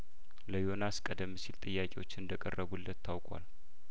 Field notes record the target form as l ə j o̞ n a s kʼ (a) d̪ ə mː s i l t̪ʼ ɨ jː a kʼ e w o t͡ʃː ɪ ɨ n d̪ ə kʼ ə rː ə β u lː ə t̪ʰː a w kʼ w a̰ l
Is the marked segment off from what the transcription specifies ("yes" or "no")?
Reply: yes